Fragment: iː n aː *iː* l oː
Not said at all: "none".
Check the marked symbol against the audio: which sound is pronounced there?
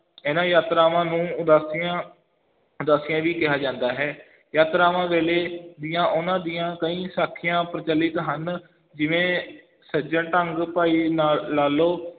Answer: aː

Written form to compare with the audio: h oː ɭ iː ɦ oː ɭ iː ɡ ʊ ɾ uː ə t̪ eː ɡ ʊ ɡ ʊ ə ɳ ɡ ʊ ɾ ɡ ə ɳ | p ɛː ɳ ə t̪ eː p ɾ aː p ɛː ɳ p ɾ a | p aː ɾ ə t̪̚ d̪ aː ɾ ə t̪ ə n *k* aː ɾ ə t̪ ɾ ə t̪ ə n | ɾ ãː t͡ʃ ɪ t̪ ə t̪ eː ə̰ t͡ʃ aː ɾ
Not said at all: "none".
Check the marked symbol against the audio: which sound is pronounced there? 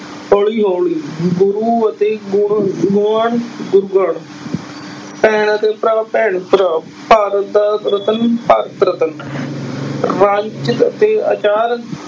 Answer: p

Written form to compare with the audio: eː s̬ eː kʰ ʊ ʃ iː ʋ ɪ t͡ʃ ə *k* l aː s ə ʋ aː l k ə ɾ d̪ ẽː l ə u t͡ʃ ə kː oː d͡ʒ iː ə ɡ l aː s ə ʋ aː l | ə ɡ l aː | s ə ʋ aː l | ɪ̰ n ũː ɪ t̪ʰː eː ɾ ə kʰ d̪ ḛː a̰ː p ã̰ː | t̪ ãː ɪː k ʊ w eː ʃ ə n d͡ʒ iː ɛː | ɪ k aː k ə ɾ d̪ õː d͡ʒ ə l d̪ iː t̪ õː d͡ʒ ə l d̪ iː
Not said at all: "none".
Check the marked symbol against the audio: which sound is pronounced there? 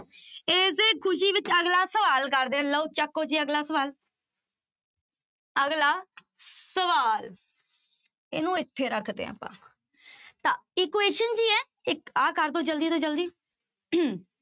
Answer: ɡ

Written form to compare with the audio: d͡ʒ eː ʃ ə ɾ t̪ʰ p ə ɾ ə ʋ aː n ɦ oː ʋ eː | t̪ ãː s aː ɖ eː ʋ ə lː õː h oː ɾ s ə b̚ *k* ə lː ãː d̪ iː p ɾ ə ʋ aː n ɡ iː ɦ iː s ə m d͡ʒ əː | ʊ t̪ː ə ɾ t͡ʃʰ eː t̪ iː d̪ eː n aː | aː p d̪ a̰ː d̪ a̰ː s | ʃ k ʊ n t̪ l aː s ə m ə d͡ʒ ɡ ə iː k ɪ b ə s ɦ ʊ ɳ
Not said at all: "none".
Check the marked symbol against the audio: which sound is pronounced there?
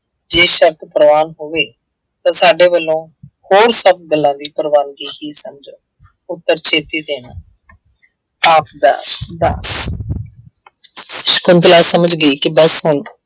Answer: ɡ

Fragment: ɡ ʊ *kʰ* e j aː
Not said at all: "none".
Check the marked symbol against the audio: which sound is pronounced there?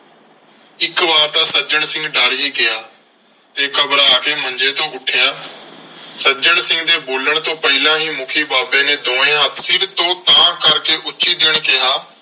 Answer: ʈʰ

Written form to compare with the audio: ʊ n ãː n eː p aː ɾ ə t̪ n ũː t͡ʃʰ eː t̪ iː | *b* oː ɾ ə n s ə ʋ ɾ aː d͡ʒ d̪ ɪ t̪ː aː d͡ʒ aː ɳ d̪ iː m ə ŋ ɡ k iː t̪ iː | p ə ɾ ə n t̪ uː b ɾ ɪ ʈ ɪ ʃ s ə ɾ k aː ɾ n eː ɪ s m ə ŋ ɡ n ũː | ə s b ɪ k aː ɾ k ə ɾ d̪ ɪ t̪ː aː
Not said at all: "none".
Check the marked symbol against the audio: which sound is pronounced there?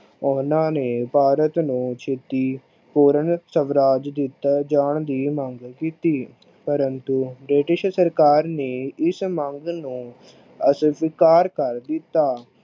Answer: p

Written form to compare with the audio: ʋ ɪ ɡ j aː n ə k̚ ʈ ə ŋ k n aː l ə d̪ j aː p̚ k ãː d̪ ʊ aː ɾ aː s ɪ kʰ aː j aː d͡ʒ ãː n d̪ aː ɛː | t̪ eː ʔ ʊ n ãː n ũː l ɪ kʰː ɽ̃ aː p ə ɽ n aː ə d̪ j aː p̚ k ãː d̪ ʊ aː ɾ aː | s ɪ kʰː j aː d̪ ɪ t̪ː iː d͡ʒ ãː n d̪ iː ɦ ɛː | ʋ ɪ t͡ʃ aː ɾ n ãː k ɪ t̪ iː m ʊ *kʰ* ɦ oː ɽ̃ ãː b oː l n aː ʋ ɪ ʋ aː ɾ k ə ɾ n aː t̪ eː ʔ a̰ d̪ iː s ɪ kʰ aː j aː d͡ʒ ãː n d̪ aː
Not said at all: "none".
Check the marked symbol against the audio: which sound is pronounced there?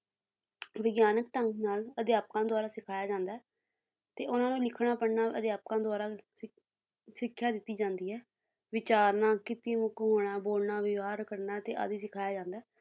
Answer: k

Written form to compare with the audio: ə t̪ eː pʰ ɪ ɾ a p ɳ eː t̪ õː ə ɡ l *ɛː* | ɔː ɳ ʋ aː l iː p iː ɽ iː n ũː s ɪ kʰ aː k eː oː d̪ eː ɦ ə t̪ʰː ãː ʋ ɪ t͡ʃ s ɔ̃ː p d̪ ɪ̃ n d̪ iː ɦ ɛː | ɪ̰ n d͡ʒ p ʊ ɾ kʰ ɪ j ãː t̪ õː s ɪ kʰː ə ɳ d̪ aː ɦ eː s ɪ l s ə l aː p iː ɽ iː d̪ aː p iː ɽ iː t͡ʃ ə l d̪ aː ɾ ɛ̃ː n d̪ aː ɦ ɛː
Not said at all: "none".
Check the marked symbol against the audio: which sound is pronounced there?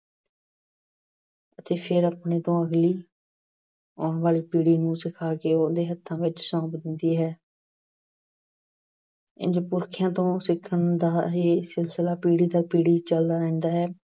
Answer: iː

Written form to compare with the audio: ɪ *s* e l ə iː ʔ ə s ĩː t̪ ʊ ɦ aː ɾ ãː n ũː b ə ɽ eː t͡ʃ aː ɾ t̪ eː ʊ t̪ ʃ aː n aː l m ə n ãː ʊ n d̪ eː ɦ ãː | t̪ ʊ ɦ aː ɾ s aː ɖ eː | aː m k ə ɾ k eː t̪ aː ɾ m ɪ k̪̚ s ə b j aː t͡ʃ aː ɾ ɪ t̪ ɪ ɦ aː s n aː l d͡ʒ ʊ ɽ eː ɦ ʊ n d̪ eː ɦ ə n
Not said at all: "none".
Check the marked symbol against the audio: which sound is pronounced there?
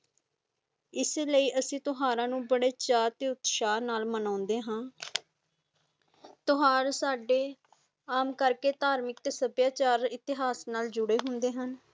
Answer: s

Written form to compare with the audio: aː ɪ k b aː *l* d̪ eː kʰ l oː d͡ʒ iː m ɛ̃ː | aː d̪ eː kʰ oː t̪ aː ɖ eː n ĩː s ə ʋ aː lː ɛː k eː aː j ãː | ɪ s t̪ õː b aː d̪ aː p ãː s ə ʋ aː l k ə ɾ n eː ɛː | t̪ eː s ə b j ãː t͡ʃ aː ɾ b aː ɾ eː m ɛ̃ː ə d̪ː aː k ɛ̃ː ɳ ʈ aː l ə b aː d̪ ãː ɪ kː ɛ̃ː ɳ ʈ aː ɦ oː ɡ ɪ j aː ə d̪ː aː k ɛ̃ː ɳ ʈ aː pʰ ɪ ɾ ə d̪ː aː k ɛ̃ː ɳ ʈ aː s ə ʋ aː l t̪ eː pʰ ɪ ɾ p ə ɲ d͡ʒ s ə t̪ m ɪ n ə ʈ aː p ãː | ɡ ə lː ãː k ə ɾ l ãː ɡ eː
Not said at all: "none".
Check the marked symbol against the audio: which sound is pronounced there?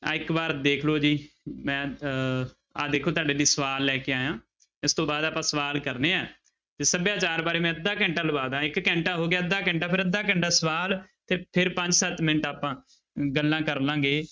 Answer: ɾ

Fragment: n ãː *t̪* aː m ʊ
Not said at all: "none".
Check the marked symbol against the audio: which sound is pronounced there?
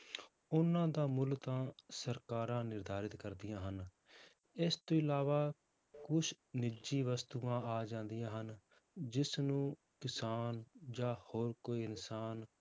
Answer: d̪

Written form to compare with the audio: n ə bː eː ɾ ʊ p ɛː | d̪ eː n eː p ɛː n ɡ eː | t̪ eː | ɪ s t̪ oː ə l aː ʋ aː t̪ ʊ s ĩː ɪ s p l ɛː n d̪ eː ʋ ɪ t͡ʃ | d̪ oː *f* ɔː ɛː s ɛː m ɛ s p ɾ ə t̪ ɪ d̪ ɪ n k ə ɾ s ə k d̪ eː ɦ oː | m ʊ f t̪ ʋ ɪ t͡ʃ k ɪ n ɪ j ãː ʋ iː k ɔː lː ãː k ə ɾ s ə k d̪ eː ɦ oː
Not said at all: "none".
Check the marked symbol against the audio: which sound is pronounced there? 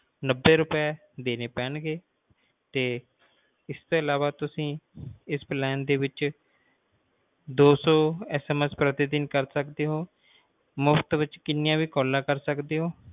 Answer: s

